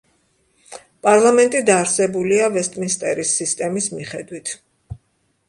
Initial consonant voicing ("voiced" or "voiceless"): voiceless